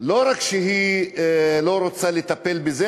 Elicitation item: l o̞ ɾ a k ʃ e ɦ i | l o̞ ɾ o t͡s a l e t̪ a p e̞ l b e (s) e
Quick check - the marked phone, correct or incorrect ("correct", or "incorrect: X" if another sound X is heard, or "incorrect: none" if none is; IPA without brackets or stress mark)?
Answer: incorrect: z